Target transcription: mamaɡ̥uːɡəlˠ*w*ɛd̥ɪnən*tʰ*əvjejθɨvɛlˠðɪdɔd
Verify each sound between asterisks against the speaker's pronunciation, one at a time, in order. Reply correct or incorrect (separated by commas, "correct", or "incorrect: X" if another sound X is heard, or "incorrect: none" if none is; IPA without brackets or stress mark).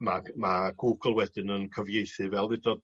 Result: correct, incorrect: kʰ